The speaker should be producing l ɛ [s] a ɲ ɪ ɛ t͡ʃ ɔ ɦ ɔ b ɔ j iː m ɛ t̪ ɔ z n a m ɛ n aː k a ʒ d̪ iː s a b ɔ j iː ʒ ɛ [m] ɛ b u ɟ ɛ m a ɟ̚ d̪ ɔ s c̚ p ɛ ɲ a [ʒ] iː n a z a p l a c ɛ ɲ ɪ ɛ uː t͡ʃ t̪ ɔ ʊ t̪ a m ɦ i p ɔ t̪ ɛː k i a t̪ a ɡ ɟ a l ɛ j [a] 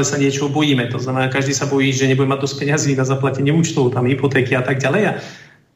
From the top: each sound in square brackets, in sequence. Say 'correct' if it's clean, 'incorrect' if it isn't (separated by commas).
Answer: correct, incorrect, incorrect, correct